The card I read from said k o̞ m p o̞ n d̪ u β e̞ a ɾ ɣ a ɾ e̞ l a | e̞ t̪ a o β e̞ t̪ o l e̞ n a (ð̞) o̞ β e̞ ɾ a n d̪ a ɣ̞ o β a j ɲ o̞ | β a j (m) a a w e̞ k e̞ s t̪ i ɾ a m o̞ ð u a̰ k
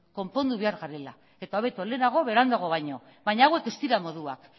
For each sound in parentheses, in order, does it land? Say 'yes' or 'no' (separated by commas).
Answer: no, no